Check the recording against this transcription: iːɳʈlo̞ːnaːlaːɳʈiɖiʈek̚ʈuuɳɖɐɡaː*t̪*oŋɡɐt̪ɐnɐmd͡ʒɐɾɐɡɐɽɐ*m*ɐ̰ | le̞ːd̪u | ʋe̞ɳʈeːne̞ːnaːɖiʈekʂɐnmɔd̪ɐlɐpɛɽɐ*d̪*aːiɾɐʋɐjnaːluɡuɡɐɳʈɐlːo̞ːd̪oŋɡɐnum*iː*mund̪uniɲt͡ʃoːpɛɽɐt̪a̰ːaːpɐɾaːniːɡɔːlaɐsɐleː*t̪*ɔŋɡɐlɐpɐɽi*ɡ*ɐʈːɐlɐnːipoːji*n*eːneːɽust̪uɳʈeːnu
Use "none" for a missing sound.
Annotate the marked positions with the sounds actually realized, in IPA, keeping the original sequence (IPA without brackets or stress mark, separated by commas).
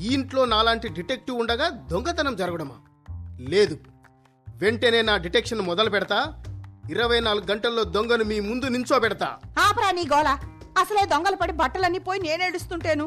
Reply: d̪, m, t̪, iː, d̪, b, n